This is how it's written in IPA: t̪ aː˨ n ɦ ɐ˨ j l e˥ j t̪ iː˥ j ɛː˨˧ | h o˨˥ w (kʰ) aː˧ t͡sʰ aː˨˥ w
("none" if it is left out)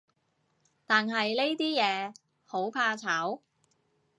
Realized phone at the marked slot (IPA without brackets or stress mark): pʰ